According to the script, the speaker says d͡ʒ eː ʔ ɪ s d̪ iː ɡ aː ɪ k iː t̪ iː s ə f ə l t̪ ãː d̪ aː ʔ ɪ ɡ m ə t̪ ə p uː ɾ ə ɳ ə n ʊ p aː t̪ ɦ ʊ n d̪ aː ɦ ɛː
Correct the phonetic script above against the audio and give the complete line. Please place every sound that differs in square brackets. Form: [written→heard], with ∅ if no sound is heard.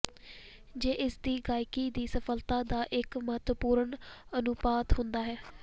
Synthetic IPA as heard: d͡ʒ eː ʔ ɪ s d̪ iː ɡ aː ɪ k iː [t̪→d̪] iː s ə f ə l t̪ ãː d̪ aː ʔ ɪ [ɡ→k] m ə t̪ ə p uː ɾ ə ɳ ə n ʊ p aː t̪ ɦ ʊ n d̪ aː ɦ ɛː